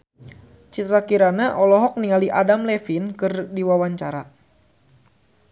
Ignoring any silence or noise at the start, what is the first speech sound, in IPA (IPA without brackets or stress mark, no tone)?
t͡ʃ